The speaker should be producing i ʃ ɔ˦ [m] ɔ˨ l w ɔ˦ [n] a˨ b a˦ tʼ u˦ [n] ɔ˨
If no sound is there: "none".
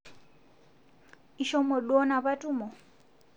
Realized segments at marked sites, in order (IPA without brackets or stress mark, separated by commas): m, n, m